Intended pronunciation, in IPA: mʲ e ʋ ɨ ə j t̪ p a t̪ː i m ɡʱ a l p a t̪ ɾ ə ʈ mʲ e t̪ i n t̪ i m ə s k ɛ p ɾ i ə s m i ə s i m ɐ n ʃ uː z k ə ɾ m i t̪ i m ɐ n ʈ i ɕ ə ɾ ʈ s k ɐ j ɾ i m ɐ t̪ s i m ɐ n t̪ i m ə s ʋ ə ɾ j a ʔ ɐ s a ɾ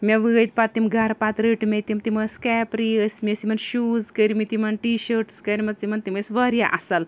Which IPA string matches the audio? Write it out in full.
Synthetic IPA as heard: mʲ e ʋ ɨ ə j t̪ p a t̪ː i m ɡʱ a ɾ p a t̪ ɾ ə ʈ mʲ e t̪ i m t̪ i m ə s k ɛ p ɾ i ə s m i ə s i m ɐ n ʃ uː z k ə ɾ m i t̪ i m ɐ n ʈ i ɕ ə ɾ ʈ s k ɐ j ɾ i m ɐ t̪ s i m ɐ n t̪ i m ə s ʋ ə ɾ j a ʔ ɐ s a l